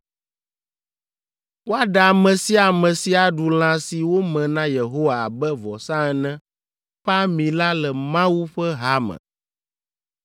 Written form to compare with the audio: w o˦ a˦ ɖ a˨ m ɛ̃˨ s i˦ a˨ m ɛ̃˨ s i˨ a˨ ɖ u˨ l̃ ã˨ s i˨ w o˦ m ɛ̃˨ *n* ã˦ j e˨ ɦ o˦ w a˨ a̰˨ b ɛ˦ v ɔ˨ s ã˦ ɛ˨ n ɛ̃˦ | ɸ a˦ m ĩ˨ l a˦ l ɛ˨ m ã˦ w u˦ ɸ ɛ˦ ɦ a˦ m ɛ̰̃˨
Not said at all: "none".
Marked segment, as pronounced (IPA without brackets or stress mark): n